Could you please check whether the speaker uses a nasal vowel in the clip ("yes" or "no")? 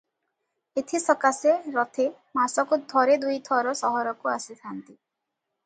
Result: no